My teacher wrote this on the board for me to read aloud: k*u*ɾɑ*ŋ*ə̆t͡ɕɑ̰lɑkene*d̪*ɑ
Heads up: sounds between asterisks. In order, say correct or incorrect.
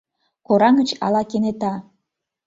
incorrect: o, correct, incorrect: t̪

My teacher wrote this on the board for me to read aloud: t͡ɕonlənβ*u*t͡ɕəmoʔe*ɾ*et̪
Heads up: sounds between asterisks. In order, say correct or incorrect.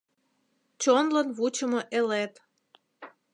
correct, incorrect: l

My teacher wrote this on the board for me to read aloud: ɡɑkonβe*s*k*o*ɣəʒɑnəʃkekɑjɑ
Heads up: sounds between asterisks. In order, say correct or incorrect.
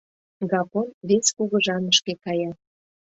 correct, incorrect: u

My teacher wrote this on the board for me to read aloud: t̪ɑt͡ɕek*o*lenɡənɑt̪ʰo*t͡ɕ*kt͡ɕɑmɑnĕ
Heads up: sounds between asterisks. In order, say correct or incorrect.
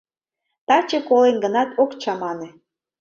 correct, incorrect: none

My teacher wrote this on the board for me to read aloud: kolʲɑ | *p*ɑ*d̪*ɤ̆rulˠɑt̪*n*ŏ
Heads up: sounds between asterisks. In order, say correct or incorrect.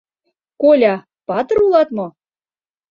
correct, incorrect: t̪, incorrect: m

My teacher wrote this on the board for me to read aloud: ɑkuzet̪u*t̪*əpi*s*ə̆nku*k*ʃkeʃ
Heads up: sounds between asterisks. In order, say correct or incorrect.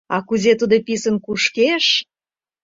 incorrect: d̪, correct, incorrect: none

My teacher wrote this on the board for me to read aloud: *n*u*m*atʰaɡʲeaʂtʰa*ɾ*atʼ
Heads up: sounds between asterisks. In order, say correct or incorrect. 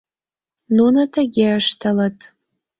correct, incorrect: n, incorrect: l

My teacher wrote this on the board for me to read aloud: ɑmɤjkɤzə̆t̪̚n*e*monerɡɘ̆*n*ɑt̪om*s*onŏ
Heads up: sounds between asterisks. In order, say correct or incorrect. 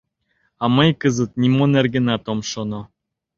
incorrect: i, correct, incorrect: ʃ

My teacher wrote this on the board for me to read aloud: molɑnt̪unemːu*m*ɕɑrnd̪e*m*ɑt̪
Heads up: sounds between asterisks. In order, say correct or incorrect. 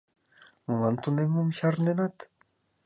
correct, incorrect: n

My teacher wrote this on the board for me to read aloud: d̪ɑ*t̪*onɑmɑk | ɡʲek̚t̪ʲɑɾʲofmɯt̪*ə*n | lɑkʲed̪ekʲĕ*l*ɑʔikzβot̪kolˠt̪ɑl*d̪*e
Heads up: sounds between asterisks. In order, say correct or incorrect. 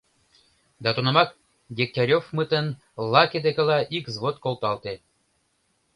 correct, correct, correct, incorrect: t̪

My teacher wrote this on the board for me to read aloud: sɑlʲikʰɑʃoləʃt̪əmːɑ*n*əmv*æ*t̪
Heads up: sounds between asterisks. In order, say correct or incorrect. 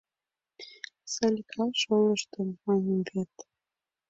correct, incorrect: e

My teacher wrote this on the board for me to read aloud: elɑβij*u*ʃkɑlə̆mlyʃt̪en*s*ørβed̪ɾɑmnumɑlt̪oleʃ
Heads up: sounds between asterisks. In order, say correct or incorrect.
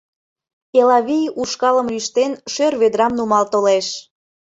correct, incorrect: ʃ

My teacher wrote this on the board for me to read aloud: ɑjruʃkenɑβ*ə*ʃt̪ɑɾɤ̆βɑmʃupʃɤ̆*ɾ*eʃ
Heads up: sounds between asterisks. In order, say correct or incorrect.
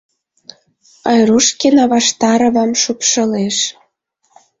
incorrect: ɑ, incorrect: l

